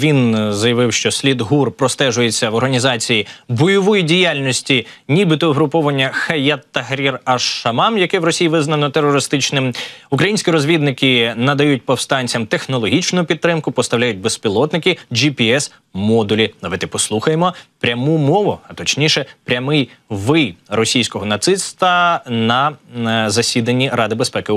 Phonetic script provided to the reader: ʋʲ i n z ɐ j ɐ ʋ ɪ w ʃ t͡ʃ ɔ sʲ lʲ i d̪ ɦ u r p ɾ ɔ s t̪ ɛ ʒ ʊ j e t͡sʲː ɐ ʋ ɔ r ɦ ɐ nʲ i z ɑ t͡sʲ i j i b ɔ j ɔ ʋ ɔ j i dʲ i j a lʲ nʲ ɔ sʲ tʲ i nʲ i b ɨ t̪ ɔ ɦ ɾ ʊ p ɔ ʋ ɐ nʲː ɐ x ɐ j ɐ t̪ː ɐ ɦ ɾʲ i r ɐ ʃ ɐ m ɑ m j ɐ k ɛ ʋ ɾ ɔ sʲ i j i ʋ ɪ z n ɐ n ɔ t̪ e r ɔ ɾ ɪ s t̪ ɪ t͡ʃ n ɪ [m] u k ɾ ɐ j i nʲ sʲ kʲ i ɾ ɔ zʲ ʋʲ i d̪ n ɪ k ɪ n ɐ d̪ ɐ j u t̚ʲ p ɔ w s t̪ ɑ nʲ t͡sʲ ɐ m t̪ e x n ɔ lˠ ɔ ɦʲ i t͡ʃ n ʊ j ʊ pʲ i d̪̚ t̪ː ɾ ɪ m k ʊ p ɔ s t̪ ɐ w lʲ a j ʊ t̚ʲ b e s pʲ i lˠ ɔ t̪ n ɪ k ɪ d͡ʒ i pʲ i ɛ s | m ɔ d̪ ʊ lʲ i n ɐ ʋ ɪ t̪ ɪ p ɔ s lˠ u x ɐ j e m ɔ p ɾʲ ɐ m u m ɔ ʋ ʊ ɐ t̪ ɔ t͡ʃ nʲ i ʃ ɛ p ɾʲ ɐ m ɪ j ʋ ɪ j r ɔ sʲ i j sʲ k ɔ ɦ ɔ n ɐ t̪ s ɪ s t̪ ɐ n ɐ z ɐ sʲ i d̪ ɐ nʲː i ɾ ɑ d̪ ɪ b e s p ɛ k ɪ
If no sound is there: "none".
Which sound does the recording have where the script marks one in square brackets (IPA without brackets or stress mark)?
m